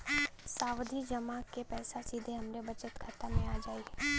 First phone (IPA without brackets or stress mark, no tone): s